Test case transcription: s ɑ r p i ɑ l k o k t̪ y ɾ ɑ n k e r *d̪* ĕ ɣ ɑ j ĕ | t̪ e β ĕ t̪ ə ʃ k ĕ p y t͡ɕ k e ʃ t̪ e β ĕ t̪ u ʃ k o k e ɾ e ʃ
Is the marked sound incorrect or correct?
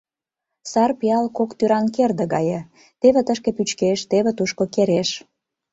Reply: correct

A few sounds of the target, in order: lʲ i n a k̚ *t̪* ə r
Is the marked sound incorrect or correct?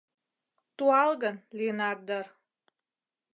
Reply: incorrect: d̪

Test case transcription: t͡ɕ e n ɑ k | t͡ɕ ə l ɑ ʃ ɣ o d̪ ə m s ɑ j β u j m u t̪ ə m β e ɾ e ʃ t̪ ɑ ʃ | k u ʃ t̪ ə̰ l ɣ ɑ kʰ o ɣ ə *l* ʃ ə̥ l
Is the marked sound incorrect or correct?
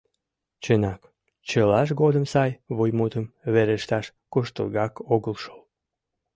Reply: correct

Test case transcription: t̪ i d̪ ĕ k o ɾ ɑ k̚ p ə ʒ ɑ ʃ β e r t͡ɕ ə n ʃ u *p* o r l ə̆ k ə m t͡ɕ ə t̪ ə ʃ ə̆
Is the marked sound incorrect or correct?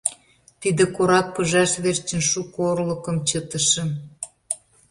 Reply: incorrect: k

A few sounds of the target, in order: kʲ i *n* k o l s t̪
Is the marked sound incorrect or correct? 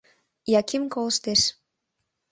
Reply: incorrect: m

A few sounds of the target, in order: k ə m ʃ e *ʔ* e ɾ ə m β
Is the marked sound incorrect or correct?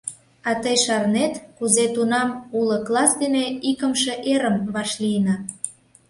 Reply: correct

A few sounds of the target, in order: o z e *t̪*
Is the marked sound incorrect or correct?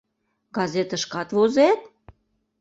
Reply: correct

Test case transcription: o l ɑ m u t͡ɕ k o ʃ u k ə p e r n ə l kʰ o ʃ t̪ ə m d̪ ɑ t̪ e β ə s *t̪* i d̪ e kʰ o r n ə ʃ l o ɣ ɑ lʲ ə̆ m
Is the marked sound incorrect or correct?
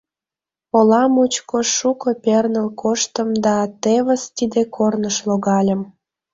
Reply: correct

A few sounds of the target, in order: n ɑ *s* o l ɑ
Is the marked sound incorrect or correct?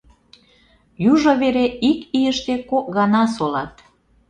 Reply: correct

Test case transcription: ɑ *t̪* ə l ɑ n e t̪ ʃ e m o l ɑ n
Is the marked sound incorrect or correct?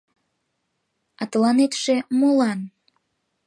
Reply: correct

